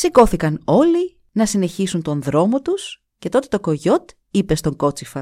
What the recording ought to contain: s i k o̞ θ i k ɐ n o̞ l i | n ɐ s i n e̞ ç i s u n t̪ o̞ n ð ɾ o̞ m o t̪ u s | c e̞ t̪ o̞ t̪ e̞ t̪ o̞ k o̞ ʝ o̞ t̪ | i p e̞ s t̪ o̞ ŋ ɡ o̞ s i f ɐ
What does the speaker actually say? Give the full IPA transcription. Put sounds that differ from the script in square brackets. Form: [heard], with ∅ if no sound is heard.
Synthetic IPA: s i k o̞ θ i k ɐ n o̞ l i | n ɐ s i n e̞ ç i s u n t̪ o̞ n ð ɾ o̞ m o t̪ u s | c e̞ t̪ o̞ t̪ e̞ t̪ o̞ k o̞ ʝ o̞ t̪ | i p e̞ s t̪ o̞ ŋ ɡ o̞ [t͡s] i f ɐ